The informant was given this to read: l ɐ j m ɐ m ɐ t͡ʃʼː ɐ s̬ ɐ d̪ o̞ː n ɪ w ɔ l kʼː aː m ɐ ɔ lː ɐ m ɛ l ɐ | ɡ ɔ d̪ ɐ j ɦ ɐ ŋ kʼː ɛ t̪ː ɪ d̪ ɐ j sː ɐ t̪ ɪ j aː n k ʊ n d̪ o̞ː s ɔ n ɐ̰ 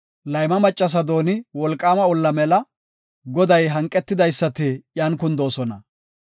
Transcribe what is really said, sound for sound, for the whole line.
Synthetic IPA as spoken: l ɐ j m ɐ m ɐ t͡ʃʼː ɐ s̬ ɐ d̪ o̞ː n ɪ w ɔ l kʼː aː m ɐ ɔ lː ɐ m ɛ l ɐ | ɡ ɔ d̪ ɐ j ɦ ɐ ŋ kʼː ɛ t̪ː ɪ d̪ ɐ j sː ɐ t̪ ɪ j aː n k ʊ n d̪ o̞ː s ɔ n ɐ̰